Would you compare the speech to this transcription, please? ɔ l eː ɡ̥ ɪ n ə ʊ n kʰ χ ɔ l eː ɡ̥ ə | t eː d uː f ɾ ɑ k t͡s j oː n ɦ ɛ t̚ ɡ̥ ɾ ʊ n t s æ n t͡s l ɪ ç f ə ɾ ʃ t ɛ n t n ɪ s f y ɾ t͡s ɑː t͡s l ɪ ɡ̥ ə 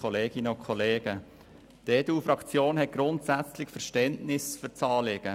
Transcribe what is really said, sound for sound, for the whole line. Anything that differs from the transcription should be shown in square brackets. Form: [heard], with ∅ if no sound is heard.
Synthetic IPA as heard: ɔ l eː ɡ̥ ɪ n ə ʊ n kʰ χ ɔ l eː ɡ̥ ə | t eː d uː f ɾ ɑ k t͡s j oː n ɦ ɛ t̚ ɡ̥ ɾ ʊ n t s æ [∅] t͡s l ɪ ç f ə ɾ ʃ t ɛ n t n ɪ s f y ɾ t͡s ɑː [∅] l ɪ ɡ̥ ə